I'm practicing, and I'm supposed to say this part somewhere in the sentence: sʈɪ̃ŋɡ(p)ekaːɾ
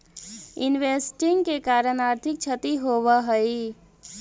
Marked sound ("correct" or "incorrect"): incorrect